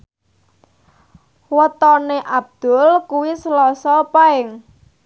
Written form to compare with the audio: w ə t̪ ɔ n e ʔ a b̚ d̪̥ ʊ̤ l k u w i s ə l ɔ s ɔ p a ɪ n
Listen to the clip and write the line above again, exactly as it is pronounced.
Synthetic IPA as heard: w ə t̪ ɔ n e ʔ a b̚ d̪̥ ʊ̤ l k u w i s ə l ɔ s ɔ p a ɪ ŋ